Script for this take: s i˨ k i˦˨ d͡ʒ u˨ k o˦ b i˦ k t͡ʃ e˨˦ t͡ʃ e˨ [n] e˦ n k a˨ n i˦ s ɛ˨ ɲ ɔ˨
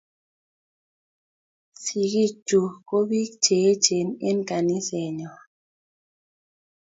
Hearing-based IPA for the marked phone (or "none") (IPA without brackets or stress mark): n